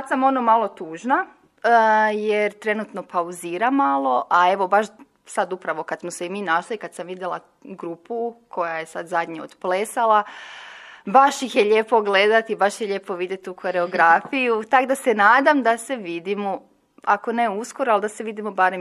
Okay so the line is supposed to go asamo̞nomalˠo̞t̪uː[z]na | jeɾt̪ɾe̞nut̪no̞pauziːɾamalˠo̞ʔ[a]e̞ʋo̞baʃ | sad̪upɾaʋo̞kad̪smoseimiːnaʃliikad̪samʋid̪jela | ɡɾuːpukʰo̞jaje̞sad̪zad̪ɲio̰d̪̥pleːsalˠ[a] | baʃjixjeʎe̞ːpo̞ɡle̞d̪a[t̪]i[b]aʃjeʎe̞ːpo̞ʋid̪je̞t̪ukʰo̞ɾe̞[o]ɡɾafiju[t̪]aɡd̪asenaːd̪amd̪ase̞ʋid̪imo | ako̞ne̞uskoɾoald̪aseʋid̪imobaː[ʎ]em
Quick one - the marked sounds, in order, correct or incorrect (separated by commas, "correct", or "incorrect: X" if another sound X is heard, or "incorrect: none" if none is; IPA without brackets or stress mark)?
incorrect: ʒ, correct, correct, correct, correct, correct, correct, incorrect: ɾ